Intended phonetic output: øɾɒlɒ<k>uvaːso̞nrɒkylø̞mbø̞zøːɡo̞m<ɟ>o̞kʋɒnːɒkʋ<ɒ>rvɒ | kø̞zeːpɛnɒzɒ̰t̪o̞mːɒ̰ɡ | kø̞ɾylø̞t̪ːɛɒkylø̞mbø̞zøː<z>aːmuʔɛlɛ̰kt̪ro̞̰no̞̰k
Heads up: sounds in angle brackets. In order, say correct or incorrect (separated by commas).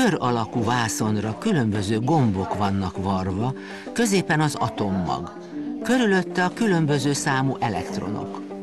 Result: correct, incorrect, correct, incorrect